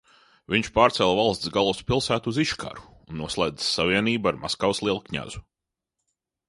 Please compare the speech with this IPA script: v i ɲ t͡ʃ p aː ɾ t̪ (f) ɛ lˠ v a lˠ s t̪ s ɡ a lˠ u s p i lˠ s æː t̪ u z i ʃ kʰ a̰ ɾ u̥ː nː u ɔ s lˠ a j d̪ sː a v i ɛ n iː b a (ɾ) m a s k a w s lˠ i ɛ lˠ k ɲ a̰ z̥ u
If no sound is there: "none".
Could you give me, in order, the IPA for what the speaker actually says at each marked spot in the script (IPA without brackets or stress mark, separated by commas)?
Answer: s, ɾ